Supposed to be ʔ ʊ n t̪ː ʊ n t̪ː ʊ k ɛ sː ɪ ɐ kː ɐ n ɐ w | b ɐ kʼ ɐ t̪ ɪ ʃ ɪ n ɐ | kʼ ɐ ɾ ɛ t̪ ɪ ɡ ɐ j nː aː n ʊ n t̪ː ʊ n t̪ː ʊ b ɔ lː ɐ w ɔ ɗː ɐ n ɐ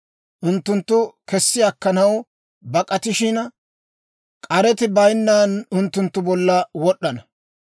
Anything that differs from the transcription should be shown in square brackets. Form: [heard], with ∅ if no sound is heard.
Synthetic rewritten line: ʔ ʊ n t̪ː ʊ n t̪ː ʊ k ɛ sː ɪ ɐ kː ɐ n ɐ w | b ɐ kʼ ɐ t̪ ɪ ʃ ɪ n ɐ | kʼ ɐ ɾ ɛ t̪ ɪ [b] ɐ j nː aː n ʊ n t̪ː ʊ n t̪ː ʊ b ɔ lː ɐ w ɔ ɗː ɐ n ɐ

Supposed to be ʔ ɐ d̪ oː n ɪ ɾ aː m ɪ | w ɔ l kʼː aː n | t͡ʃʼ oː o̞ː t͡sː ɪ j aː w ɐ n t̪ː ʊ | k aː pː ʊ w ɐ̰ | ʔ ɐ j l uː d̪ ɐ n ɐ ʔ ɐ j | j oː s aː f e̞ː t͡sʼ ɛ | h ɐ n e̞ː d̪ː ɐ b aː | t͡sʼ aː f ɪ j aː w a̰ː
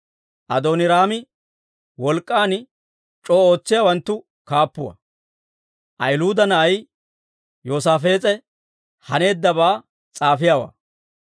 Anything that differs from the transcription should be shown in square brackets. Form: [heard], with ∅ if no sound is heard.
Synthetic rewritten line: ʔ ɐ d̪ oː n ɪ ɾ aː m ɪ | w ɔ l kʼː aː n | t͡ʃʼ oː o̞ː t͡sː ɪ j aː w ɐ n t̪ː ʊ | k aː pː ʊ w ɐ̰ | ʔ ɐ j l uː d̪ ɐ n ɐ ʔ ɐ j | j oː s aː f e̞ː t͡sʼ ɛ | h ɐ n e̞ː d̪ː ɐ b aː | t͡sʼ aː f ɪ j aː w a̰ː

